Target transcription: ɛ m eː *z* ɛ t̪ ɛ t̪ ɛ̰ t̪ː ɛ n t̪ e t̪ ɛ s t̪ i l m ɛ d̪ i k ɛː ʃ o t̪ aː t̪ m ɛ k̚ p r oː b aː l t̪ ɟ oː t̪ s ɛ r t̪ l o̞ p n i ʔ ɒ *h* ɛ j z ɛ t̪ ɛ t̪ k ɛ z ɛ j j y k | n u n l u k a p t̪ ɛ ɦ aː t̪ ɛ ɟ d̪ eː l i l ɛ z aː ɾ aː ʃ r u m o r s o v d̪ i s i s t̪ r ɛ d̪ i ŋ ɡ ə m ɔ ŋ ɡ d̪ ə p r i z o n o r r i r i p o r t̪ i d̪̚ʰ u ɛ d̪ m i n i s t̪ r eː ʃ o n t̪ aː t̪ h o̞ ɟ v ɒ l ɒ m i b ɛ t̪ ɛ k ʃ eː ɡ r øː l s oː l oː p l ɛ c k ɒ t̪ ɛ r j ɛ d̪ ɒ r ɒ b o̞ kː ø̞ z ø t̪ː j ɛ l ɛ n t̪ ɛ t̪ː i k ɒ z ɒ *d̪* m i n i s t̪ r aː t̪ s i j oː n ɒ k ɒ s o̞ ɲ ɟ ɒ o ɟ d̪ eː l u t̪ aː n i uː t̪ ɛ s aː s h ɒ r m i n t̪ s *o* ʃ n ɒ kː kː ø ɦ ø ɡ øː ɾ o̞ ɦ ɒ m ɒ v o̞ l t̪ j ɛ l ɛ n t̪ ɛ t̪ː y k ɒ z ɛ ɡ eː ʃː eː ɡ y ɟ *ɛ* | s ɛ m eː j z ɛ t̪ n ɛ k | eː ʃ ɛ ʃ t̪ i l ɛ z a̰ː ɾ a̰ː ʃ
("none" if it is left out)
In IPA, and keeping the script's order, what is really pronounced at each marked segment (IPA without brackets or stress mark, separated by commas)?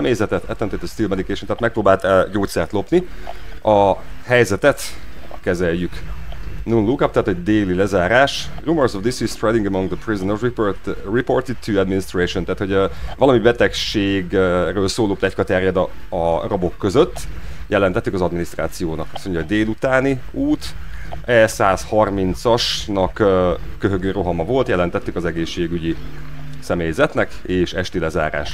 z, h, d̪, ɒ, i